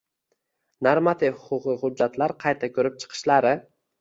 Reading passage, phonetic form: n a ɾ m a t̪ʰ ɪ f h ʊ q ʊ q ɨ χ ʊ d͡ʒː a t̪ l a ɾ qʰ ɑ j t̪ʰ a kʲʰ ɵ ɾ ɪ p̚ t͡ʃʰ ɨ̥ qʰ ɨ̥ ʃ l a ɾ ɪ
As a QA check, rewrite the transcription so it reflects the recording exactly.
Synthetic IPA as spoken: n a ɾ m a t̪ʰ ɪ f h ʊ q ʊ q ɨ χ ʊ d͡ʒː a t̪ l a ɾ qʰ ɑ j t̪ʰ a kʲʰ ɵ ɾ ɪ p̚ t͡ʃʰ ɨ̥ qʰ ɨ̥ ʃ l a ɾ ɪ